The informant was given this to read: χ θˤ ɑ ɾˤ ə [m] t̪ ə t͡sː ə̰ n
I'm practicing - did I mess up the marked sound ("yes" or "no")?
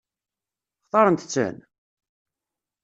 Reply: yes